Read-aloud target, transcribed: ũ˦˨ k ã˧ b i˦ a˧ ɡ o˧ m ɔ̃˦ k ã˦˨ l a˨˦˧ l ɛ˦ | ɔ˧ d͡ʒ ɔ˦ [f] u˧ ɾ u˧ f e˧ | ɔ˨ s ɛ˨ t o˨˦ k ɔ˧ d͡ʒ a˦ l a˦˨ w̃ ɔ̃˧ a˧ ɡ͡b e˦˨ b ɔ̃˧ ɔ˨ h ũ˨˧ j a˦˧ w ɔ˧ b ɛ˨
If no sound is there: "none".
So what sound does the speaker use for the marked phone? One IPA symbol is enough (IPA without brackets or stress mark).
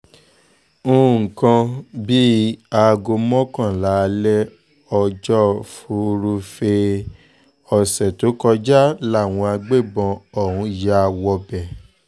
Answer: f